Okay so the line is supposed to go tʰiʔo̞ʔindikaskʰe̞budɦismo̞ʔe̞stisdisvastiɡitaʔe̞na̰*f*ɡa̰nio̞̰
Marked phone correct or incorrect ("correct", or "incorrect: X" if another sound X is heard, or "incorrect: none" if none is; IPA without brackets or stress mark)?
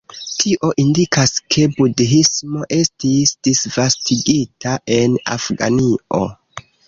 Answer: correct